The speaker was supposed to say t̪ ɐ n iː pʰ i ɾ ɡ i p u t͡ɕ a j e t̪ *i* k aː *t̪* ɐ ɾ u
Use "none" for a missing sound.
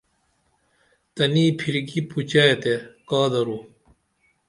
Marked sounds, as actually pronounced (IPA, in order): e, d̪

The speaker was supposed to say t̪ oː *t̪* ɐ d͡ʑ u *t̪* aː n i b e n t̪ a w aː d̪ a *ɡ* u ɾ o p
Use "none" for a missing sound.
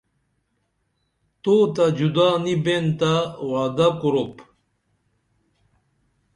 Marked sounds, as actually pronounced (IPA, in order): t̪, d̪, k

